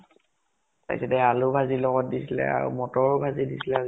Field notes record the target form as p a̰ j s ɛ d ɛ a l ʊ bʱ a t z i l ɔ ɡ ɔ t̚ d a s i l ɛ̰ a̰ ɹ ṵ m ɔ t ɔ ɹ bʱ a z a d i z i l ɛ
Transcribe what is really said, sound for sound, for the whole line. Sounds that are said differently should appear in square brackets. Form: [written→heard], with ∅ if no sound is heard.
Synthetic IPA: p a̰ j s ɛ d ɛ a l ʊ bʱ a [t→∅] z i l ɔ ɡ ɔ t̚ d [a→i] s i l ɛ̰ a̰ ɹ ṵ m ɔ t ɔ ɹ bʱ a z [a→i] d i [z→s] i l ɛ

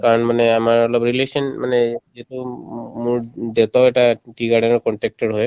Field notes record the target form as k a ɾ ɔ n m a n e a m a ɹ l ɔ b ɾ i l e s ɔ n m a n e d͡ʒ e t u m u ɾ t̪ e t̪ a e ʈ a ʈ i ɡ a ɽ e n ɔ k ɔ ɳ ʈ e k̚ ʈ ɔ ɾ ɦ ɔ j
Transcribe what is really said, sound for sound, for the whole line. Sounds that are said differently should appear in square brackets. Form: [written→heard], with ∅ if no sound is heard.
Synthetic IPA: k a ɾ ɔ n m a n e a m a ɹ l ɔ b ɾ i l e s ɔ n m a n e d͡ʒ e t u m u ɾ [t̪→d̪] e t̪ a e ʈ a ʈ i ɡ a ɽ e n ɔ k ɔ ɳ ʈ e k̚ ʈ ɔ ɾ ɦ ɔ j

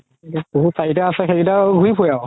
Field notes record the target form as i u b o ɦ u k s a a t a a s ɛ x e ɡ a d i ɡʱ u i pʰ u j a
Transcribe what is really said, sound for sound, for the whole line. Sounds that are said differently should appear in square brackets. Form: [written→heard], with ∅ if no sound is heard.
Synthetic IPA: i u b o ɦ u [k→t] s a [a→i] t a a s ɛ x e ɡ [a→i] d [i→a] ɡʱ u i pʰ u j a

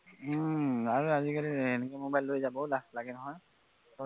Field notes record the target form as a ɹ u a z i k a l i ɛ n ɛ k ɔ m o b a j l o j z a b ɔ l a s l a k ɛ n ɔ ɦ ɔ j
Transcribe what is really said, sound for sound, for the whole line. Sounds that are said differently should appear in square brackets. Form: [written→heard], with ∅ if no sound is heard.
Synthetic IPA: a ɹ u a z i k a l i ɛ n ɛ k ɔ m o b a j l o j z a b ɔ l a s l a [k→ɡ] ɛ n ɔ ɦ ɔ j

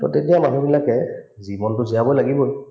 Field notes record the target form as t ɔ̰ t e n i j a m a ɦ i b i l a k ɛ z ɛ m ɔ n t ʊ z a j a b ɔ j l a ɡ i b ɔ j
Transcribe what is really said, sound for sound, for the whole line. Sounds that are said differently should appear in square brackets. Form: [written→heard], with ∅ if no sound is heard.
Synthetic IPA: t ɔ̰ t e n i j a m a ɦ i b i l a k ɛ z [ɛ→i] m ɔ n t ʊ z [a→i] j a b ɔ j l a ɡ i b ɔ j

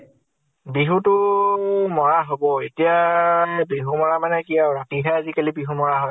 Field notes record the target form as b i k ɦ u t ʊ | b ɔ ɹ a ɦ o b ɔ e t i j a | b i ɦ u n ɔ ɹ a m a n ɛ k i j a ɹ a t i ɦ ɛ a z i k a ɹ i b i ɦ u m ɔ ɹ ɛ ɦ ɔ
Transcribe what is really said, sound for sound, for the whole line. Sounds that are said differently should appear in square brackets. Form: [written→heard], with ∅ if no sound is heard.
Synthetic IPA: b i [k→∅] ɦ u t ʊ | [b→m] ɔ ɹ a ɦ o b ɔ e t i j a | b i ɦ u [n→m] ɔ ɹ a m a n ɛ k i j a ɹ a t i ɦ ɛ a z i k a [ɹ→l] i b i ɦ u m ɔ ɹ [ɛ→a] ɦ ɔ

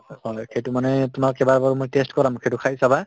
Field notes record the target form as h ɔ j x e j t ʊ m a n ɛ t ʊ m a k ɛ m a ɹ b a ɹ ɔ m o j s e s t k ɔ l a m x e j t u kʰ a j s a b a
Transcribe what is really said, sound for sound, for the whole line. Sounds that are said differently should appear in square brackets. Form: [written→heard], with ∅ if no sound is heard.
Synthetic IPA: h ɔ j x e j t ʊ m a n ɛ t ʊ m a k ɛ [m→b] a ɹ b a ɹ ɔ m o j [s→t] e s t k ɔ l a m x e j t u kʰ a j s a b a

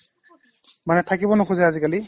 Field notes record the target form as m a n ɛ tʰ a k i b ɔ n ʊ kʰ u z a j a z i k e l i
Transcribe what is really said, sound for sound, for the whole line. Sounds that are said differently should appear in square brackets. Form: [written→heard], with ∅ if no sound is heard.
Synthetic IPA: m a n ɛ tʰ a k i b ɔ n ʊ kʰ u z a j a z i k [e→a] l i

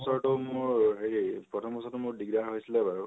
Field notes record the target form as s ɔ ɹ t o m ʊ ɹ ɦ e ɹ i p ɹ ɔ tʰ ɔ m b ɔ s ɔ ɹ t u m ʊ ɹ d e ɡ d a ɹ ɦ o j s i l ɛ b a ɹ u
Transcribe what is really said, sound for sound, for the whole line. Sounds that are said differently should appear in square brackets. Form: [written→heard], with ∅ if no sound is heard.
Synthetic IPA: s ɔ ɹ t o m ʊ ɹ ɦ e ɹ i p ɹ ɔ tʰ ɔ m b ɔ s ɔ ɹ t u m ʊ ɹ d [e→i] ɡ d a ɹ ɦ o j s i l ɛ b a ɹ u

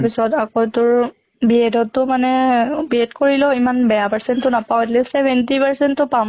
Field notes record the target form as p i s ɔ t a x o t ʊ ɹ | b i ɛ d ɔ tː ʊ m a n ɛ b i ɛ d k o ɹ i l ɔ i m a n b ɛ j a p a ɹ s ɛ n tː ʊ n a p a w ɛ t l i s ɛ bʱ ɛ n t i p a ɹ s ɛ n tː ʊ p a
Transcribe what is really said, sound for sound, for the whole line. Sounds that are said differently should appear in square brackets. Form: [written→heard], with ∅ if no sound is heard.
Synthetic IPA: p i s ɔ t a [x→k] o t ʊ ɹ | b i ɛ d ɔ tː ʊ m a n ɛ b i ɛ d k o ɹ i l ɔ i m a n b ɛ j a p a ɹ s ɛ n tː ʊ n a p a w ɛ t l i s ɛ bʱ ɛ n t i p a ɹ s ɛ n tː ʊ p a

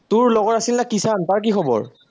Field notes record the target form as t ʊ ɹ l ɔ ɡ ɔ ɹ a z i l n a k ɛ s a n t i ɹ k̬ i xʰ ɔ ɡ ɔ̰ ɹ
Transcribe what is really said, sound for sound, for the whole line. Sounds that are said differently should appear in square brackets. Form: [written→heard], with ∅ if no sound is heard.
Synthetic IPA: t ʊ ɹ l ɔ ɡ ɔ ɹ a [z→s] i l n a k [ɛ→i] s a n t [i→a] ɹ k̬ i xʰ ɔ [ɡ→b] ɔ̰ ɹ

